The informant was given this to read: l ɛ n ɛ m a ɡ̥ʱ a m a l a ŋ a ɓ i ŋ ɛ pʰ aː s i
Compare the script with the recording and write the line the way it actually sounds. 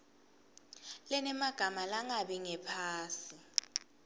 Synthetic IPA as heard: l ɛ n ɛ m a ɡ̥ʱ a m a l a ŋ a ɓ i ŋ ɛ pʰ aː s i